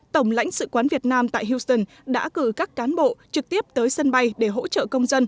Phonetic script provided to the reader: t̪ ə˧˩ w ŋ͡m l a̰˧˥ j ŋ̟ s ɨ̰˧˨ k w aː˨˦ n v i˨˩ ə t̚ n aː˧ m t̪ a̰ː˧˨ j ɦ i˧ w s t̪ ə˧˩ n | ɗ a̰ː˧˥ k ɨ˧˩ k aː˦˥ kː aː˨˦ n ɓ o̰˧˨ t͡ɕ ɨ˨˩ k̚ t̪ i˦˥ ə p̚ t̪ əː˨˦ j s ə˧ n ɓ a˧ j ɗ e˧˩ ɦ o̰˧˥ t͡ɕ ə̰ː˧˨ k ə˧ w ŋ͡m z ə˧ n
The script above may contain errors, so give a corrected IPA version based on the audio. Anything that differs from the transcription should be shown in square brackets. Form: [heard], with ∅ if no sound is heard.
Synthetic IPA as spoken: t̪ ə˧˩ w ŋ͡m l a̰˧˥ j ŋ̟ s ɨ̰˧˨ k w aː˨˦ n v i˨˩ ə t̚ n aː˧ m t̪ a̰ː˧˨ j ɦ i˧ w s t̪ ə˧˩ n | ɗ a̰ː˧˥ k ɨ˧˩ k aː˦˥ kː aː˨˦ n ɓ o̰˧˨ t͡ɕ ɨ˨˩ k̚ t̪ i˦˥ ə p̚ t̪ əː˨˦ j s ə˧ n ɓ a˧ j ɗ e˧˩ ɦ o̰˧˥ t͡ɕ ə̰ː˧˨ k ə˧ w ŋ͡m z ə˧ n